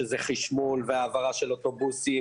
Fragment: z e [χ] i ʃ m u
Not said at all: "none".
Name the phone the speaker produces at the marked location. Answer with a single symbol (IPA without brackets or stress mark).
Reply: χ